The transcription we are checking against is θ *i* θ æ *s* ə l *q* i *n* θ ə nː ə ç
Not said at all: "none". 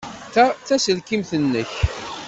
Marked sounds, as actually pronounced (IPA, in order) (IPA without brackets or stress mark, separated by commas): æ, s, k, m